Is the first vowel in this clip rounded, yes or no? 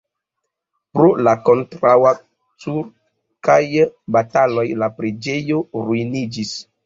yes